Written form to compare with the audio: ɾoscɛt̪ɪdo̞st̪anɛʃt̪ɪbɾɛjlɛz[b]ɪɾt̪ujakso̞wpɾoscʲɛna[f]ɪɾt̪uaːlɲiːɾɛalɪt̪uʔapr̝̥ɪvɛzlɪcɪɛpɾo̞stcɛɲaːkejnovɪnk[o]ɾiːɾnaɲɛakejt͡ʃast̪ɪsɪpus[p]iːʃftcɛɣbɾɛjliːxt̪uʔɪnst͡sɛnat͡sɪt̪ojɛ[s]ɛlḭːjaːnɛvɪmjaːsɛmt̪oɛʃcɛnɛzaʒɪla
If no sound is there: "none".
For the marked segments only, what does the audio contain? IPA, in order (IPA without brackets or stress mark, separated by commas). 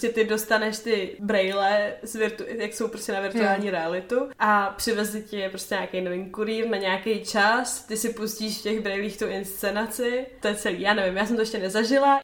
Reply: v, v, u, c, t͡s